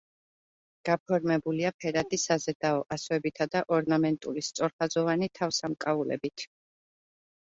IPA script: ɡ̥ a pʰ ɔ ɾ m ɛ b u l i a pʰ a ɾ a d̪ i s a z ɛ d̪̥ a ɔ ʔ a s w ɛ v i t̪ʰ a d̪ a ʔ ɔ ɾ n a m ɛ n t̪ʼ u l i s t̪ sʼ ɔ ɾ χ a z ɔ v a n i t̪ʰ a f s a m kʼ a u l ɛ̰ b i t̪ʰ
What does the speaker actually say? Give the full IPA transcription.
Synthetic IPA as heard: ɡ̥ a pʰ ɔ ɾ m ɛ b u l i a pʰ ɛ ɾ a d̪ i s a z ɛ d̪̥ a ɔ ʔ a s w ɛ b i t̪ʰ a d̪ a ʔ ɔ ɾ n a m ɛ n t̪ʼ u l i s t̪ sʼ ɔ ɾ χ a z ɔ v a n i t̪ʰ a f s a m kʼ a u l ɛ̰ b i t̪ʰ

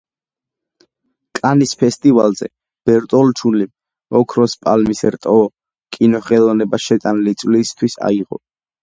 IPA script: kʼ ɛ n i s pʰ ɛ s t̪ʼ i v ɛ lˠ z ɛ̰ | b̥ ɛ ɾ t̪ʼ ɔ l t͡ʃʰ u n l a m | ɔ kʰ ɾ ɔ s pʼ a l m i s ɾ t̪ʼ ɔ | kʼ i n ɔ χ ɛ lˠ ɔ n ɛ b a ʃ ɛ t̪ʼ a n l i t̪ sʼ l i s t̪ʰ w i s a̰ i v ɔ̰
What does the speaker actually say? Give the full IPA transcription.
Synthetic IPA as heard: kʼ a n i s pʰ ɛ s t̪ʼ i v a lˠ z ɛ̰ | b̥ ɛ ɾ t̪ʼ ɔ l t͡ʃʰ u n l i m | ɔ kʰ ɾ ɔ s pʼ a l m i s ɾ t̪ʼ ɔ | kʼ i n ɔ χ ɛ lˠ ɔ n ɛ b a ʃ ɛ t̪ʼ a n l i t̪ sʼ l i s t̪ʰ w i s a̰ i ʁ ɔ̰

